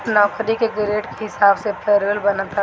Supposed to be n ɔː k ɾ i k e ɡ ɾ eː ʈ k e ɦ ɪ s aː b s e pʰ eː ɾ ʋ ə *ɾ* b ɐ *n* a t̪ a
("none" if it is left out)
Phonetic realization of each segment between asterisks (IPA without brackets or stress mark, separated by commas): l, n